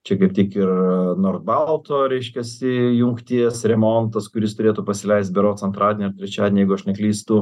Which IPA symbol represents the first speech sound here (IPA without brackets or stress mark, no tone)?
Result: t͡ʃʲ